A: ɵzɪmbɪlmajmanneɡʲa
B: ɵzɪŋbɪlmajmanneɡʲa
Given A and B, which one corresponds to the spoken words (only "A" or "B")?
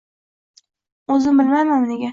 A